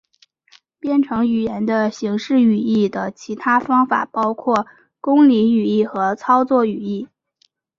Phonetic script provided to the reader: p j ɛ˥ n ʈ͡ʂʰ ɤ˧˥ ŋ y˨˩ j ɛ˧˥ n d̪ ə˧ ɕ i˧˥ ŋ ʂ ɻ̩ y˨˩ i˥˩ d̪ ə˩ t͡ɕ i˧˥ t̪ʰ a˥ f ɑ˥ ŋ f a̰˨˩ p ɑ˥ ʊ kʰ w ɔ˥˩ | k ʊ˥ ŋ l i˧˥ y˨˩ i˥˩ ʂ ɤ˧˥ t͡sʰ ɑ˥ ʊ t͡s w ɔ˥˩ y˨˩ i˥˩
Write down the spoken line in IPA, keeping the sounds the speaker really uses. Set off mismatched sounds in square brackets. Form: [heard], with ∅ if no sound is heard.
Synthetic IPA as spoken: p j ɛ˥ n ʈ͡ʂʰ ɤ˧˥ ŋ y˨˩ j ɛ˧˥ n d̪ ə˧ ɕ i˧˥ ŋ ʂ ɻ̩ y˨˩ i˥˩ d̪ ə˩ [t͡ɕʰ] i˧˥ t̪ʰ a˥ f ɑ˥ ŋ f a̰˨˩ p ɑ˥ ʊ kʰ w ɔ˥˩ | k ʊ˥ ŋ l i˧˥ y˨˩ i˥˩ [x] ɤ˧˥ t͡sʰ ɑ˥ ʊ t͡s w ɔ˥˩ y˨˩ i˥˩